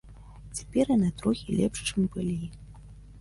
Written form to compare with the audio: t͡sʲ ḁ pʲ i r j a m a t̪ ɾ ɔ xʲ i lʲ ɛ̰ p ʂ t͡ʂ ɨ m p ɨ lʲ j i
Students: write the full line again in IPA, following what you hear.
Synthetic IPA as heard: t͡sʲ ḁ pʲ ɛ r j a n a t̪ ɾ ɔ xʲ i lʲ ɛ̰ p ʂ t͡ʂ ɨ m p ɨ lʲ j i